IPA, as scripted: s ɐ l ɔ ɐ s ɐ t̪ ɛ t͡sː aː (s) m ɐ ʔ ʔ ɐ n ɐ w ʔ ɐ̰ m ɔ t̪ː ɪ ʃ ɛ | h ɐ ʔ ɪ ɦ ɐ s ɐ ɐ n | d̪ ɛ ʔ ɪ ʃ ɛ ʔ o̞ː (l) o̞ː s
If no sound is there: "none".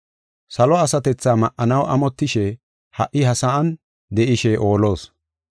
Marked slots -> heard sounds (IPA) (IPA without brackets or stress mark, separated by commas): none, l